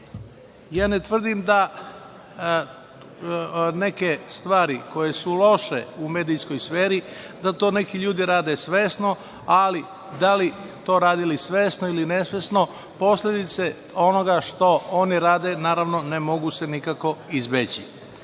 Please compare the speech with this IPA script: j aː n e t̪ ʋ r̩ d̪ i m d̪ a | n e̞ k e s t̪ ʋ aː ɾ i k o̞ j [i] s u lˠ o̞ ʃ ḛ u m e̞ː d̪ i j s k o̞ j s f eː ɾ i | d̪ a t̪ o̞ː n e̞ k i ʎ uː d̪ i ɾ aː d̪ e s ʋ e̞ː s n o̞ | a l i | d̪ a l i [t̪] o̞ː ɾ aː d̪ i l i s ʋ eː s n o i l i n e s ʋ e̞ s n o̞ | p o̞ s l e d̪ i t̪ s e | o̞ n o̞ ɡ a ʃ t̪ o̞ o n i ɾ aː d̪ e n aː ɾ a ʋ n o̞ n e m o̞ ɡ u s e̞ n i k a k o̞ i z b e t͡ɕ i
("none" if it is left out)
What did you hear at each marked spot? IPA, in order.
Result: e, t̪

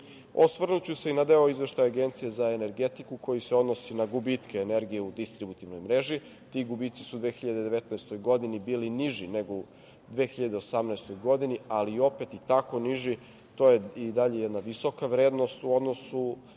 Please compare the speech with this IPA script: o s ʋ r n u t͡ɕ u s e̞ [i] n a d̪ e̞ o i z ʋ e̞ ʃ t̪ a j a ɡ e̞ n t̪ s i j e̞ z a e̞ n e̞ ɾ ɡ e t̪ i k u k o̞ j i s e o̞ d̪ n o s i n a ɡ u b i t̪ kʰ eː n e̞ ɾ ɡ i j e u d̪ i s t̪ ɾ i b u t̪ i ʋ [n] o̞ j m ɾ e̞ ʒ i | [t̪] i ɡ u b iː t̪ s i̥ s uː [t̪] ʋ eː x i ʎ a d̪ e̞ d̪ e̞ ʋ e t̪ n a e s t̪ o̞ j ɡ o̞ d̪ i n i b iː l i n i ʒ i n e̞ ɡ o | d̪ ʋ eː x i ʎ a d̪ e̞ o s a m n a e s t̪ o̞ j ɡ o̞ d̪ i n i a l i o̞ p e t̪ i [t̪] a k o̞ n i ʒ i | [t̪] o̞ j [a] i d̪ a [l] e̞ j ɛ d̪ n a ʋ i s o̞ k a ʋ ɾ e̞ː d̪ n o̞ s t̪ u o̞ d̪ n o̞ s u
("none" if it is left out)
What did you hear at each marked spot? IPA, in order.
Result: i, n, t̪, d̪, t̪, t̪, e, ʎ

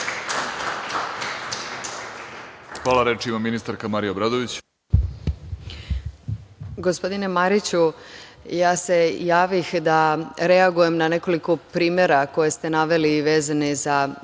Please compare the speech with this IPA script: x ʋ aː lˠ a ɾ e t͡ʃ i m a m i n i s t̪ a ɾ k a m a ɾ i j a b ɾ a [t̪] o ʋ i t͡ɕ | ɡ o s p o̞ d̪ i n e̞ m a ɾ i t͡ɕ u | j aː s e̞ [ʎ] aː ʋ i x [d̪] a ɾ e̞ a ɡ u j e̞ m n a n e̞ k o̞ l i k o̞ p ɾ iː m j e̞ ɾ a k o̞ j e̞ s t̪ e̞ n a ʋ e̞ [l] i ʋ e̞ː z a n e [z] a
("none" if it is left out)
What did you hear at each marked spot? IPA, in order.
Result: d̪, j, d̪, l, z

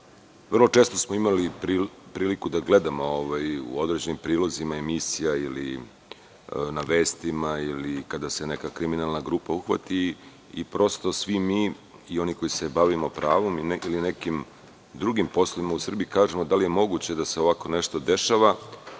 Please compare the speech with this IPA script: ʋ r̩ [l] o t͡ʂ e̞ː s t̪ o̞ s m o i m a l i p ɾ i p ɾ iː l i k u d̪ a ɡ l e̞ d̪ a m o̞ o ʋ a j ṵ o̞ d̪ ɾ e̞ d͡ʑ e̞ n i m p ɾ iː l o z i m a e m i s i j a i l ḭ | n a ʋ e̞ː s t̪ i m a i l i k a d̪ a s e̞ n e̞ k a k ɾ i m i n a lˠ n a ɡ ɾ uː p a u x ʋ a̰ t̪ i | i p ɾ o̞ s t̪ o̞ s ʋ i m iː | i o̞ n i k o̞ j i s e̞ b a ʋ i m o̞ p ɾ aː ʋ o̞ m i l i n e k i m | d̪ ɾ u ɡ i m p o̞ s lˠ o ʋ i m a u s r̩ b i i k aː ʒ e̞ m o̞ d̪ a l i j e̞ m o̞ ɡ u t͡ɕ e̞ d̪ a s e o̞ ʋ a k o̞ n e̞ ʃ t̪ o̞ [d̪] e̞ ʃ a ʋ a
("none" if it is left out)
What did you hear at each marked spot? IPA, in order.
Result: l, d̪

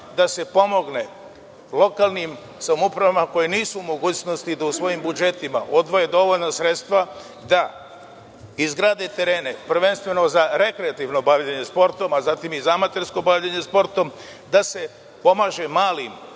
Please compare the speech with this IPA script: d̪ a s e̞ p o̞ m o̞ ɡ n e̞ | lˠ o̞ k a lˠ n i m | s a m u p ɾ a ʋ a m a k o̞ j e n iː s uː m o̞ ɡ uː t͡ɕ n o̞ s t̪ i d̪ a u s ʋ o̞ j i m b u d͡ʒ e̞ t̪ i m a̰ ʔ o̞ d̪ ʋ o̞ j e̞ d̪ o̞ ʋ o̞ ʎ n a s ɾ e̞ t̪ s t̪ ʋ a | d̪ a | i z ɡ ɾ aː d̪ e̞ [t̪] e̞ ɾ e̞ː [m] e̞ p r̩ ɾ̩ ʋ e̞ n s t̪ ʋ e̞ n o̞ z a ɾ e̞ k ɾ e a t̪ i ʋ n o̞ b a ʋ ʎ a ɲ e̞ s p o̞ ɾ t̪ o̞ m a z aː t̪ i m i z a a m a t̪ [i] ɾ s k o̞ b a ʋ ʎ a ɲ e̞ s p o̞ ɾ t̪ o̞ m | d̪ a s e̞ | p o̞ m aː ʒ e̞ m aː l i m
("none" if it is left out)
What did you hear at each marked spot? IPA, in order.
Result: t̪, n, e

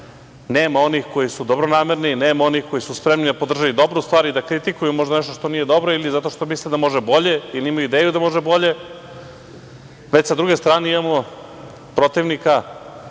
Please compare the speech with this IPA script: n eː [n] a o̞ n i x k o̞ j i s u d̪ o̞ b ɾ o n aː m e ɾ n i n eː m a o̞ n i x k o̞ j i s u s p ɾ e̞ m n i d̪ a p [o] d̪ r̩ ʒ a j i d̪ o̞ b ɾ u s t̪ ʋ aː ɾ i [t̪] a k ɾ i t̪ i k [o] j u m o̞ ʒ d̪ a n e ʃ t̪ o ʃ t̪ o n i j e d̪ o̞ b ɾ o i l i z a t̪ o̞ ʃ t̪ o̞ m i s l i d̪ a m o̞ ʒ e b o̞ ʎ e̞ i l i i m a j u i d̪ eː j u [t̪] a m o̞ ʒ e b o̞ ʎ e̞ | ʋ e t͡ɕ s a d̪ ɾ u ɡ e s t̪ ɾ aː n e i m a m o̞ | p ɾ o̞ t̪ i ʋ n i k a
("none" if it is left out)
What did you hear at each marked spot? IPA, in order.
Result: m, o, d̪, u, d̪

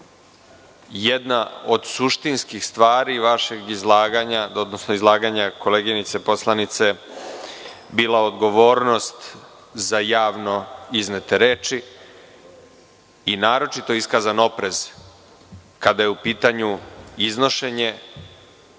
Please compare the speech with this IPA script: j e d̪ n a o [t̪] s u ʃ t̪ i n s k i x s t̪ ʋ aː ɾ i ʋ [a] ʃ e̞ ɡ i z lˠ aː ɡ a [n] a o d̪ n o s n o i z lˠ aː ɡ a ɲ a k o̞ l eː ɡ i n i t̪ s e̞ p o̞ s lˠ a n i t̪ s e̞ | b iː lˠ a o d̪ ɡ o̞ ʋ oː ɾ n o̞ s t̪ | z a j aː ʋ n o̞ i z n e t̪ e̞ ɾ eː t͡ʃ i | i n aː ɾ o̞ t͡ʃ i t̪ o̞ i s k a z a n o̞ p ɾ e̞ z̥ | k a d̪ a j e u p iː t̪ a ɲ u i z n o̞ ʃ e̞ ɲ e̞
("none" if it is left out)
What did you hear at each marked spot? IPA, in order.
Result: d̪, a, ɲ

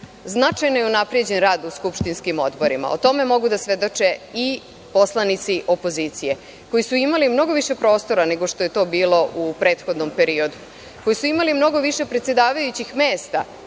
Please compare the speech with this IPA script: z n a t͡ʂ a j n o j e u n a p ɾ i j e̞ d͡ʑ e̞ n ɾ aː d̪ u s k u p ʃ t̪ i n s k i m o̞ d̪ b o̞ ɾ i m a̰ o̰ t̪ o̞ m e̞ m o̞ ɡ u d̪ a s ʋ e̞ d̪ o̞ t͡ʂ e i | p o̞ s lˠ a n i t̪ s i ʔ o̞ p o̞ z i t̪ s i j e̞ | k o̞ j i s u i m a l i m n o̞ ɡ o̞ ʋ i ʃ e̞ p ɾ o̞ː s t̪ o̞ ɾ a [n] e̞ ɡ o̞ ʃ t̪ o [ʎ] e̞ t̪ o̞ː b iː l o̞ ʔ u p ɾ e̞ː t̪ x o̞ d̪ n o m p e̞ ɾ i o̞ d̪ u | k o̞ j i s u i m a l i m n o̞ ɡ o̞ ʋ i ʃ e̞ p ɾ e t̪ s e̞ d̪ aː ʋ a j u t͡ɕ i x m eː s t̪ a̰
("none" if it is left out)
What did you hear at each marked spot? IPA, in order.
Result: n, j

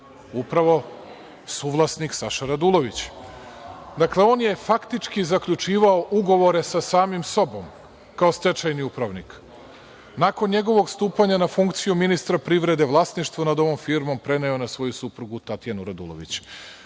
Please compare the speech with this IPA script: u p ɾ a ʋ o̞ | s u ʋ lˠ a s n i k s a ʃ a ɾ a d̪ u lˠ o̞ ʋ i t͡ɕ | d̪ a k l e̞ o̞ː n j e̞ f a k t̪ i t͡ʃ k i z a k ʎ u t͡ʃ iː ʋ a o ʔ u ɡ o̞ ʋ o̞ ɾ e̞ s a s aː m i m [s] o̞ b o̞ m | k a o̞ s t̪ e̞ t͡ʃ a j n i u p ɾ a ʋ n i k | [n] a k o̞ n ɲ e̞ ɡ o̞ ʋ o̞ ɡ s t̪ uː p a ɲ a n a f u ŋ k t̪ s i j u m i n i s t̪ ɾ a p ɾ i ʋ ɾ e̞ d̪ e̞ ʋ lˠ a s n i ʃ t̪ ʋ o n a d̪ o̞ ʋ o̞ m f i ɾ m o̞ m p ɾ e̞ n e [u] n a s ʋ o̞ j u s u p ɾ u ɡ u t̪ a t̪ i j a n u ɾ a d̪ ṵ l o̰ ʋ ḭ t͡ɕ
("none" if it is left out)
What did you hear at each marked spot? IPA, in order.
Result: s, n, o

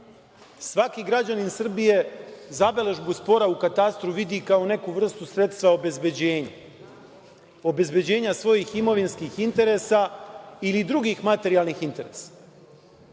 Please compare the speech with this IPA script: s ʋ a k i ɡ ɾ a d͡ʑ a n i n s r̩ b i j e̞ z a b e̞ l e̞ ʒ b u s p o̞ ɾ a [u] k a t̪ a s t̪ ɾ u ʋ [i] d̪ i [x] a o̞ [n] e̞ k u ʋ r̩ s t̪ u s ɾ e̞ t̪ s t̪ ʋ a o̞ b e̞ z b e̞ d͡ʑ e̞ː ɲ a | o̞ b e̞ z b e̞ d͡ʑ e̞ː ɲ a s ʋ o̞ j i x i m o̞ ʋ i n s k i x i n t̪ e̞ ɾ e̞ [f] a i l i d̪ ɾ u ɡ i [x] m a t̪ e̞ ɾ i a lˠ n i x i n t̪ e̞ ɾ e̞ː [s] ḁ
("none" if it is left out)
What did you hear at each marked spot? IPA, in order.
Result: u, i, k, n, s, x, s

